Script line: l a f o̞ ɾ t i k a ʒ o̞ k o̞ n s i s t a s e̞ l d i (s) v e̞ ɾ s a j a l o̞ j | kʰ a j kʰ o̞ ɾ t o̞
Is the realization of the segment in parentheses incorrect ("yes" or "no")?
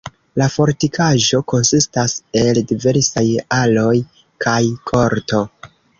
yes